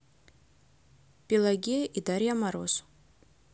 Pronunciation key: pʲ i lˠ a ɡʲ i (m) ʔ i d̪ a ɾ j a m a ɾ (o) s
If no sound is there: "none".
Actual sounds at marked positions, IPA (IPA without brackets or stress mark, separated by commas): none, o